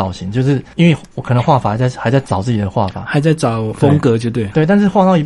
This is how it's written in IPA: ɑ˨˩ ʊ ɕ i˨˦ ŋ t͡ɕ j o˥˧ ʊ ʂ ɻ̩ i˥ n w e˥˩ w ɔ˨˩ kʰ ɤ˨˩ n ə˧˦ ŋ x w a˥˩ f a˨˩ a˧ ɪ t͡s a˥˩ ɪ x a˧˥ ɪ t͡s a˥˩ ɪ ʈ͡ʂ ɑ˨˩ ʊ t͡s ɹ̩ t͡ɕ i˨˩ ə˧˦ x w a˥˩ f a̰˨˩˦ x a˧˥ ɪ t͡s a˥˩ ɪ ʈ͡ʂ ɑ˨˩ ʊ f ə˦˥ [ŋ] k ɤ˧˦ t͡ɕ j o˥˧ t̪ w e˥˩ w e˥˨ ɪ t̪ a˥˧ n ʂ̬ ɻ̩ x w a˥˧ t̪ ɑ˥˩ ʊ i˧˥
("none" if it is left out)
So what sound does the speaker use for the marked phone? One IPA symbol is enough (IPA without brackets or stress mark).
ŋ